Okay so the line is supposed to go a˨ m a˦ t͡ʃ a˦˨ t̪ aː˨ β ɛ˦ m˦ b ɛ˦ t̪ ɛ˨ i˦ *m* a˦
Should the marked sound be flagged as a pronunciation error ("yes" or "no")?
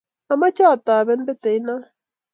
yes